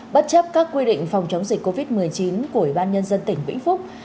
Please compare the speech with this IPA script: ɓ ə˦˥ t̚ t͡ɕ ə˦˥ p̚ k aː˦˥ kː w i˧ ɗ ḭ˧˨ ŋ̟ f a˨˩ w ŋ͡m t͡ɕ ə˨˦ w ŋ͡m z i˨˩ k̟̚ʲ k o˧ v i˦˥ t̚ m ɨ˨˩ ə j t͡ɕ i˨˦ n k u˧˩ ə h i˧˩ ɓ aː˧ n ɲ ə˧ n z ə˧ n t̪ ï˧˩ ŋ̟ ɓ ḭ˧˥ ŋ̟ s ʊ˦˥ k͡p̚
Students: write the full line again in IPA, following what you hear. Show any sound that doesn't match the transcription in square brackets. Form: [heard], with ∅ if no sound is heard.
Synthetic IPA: ɓ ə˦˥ t̚ t͡ɕ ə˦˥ p̚ k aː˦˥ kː w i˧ ɗ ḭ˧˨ ŋ̟ f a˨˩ w ŋ͡m t͡ɕ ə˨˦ w ŋ͡m z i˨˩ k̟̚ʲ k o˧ v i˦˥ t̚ m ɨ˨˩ ə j t͡ɕ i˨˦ n k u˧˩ ə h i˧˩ ɓ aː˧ n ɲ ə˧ n z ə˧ n t̪ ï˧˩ ŋ̟ ɓ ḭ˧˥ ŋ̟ [f] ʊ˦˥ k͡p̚